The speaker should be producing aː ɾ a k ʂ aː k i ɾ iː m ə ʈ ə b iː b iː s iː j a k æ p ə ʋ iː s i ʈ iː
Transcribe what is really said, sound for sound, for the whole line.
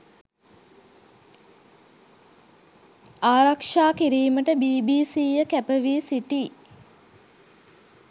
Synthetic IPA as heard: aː ɾ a k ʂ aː k i ɾ iː m ə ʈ ə b iː b iː s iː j ə k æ p ə ʋ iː s i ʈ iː